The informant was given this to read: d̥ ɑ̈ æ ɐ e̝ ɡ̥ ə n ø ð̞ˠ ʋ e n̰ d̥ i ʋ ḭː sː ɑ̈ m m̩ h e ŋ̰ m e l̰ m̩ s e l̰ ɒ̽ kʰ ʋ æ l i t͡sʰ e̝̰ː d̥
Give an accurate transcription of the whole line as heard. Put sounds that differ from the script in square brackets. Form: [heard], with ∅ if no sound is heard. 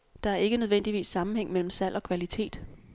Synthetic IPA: d̥ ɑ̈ æ ɐ e̝ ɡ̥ ə n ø ð̞ˠ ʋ e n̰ d̥ i ʋ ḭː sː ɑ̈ m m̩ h e ŋ̰ m e l̰ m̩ s [æ] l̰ ɒ̽ kʰ ʋ æ l i t͡sʰ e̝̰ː d̥